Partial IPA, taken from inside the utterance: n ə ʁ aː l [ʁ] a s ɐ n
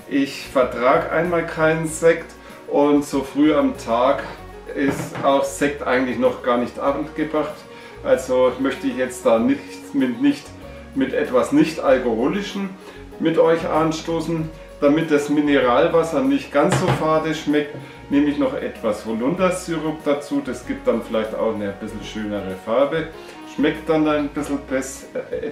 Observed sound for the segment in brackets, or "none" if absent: v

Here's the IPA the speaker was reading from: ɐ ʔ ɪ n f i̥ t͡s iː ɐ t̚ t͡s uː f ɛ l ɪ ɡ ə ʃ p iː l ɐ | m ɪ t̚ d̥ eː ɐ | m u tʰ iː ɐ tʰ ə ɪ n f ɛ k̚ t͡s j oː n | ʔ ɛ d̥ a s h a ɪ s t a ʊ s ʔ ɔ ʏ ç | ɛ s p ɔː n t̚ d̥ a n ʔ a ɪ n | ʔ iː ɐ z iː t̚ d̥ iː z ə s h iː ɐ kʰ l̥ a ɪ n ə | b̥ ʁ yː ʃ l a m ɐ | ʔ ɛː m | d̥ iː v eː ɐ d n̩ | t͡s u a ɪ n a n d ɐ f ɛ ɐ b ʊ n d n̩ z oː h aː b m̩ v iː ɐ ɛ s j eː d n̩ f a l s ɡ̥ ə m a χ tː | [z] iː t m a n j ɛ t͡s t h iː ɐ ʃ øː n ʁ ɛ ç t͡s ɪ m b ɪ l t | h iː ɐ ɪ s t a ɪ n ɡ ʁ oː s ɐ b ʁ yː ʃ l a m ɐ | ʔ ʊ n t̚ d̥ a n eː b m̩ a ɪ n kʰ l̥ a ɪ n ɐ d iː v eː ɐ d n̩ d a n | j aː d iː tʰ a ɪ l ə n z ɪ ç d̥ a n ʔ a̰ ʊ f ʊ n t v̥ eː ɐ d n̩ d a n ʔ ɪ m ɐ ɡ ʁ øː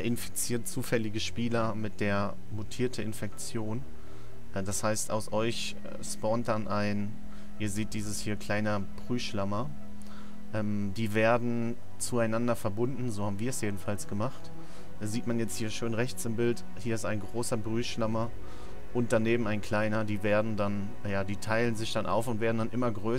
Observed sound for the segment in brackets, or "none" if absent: z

